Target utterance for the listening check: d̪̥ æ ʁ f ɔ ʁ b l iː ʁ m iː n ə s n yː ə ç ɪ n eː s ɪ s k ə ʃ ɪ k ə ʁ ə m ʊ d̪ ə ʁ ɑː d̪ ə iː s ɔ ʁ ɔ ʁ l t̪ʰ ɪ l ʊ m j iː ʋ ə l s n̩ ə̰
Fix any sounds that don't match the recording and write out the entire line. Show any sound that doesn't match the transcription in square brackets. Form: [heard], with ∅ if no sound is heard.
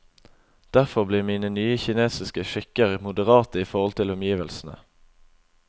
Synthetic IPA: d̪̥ æ ʁ f ɔ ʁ b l iː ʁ m iː n ə [∅] n yː ə ç ɪ n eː s ɪ s k ə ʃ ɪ k ə ʁ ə m ʊ d̪ ə ʁ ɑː [t̪] ə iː [f] ɔ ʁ ɔ [∅] l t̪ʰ ɪ l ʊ m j iː ʋ ə l s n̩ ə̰